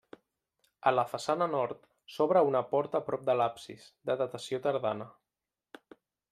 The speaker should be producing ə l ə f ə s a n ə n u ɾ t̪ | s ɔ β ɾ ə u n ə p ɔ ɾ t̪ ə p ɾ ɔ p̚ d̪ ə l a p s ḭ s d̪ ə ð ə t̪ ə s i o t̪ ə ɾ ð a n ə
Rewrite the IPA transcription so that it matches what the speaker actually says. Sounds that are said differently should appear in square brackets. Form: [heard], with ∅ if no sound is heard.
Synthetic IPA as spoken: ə l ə f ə s a n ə n [ɔ] ɾ t̪ | s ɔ β ɾ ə u n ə p ɔ ɾ t̪ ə p ɾ ɔ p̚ d̪ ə l a p s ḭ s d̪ ə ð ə t̪ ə s i o t̪ ə ɾ ð a n ə